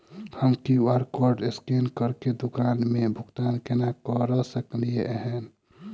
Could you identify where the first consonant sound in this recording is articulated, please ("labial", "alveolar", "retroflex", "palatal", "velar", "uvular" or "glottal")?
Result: glottal